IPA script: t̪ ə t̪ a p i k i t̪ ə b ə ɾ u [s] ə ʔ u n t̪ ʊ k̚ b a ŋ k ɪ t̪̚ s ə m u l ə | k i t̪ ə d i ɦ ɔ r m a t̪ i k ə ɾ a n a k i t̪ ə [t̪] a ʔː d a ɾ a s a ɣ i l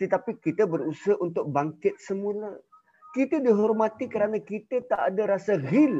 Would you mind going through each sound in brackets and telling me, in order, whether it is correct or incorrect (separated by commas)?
correct, correct